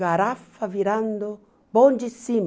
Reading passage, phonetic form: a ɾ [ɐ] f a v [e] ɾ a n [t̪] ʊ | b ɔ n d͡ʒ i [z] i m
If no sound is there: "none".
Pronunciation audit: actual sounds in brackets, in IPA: a, i, d̪, s

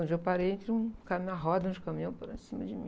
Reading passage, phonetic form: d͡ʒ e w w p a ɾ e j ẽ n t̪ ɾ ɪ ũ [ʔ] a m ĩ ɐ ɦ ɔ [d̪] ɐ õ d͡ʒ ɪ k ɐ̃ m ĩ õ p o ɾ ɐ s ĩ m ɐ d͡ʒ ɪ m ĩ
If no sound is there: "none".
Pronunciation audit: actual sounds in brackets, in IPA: k, d̪

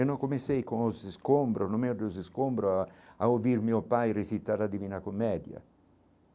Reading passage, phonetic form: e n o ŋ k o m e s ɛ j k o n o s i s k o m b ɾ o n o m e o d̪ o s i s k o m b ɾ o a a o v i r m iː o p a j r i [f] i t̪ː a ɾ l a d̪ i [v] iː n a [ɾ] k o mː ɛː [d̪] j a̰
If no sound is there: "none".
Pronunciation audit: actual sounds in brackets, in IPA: s, v, none, d̪

